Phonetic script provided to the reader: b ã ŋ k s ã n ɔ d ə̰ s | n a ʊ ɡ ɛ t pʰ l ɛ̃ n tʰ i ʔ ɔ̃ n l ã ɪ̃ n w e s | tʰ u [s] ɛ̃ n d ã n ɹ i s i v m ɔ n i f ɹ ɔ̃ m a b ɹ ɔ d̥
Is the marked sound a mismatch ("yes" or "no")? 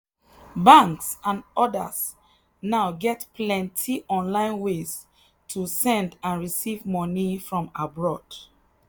no